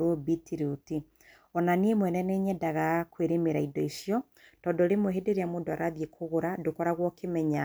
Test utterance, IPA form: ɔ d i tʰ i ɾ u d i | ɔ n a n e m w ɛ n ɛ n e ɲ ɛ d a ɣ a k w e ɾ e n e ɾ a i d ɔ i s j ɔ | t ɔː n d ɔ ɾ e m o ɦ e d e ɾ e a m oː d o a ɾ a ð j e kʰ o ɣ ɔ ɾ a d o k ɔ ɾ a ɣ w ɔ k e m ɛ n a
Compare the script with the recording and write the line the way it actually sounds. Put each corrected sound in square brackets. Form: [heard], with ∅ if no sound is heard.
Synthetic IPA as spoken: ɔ [b] i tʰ i ɾ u [t] i | ɔ n a n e m w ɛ n ɛ n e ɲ ɛ d a ɣ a k w e ɾ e [m] e ɾ a i d ɔ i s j ɔ | t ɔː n d ɔ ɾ e m o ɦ e d e ɾ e a m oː d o a ɾ a ð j e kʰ o ɣ [o] ɾ a d o k ɔ ɾ a ɣ w ɔ k e m ɛ [ɲ] a